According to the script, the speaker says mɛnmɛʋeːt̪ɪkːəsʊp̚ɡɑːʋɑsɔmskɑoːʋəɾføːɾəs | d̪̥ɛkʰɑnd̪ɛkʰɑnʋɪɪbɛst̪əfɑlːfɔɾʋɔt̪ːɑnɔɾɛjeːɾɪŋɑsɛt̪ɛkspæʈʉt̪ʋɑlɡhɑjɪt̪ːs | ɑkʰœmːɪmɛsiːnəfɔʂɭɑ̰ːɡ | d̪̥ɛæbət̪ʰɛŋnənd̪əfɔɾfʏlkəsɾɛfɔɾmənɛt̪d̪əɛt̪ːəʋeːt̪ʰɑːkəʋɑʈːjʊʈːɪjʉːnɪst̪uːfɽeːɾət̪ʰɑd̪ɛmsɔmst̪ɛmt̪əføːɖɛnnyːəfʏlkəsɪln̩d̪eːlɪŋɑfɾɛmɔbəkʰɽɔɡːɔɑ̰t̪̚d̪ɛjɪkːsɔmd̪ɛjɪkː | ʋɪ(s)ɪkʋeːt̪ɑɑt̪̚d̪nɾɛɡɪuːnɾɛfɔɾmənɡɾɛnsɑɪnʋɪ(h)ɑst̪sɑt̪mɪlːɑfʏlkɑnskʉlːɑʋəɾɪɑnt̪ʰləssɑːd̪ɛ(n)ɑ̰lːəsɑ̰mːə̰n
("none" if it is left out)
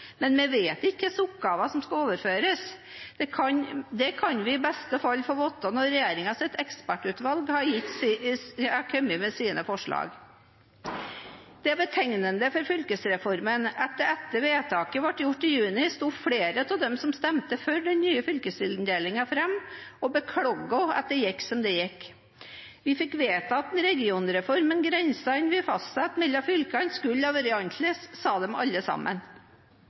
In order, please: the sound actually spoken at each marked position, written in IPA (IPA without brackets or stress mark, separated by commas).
f, f, m